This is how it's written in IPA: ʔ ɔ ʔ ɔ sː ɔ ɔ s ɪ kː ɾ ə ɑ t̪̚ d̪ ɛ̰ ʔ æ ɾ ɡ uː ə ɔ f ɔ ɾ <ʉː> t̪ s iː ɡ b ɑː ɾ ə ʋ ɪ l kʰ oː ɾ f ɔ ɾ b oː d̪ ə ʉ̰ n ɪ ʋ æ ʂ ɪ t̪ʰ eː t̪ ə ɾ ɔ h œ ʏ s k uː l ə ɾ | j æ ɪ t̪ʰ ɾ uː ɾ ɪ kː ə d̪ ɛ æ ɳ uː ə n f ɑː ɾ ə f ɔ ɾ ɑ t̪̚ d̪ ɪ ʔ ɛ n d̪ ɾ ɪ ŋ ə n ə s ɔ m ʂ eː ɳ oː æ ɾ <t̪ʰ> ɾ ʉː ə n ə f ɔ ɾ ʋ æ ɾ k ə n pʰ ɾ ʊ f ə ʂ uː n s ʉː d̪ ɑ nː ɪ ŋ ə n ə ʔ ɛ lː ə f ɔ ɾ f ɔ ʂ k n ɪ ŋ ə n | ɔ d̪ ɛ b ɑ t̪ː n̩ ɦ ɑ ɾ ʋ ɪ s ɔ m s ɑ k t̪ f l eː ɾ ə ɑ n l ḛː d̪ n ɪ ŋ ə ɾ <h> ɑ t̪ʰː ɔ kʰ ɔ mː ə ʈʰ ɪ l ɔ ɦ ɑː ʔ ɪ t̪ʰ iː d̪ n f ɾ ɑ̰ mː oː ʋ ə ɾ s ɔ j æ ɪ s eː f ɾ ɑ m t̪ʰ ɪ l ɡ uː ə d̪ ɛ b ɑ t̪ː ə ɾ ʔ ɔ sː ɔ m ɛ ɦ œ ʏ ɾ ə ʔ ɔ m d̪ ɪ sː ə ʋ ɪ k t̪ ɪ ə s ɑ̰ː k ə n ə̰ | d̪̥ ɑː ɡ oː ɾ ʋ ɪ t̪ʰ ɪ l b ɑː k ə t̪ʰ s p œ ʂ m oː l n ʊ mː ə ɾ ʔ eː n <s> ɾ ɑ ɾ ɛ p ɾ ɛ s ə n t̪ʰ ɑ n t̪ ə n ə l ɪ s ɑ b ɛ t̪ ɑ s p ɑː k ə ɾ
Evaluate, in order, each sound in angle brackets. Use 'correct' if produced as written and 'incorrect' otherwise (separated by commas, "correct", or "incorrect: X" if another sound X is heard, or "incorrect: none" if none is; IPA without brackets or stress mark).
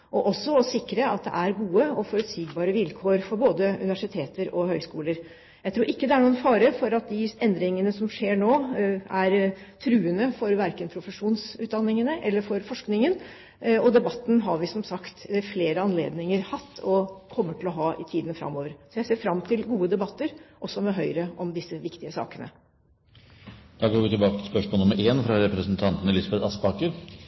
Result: incorrect: ʉ, correct, correct, incorrect: f